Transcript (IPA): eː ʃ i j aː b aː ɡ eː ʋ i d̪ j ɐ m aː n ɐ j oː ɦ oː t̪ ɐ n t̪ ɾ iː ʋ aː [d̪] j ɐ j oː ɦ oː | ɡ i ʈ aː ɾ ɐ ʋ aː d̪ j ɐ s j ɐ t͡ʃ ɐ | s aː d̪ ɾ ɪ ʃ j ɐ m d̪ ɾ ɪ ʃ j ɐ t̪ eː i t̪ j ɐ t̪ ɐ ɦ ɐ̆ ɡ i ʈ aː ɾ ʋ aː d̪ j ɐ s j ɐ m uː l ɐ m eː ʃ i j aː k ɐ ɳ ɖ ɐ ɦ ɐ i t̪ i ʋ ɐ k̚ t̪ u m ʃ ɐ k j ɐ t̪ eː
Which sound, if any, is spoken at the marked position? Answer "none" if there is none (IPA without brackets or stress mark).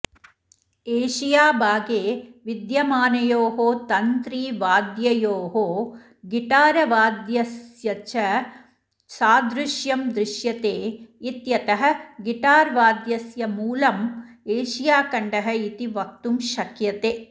d̪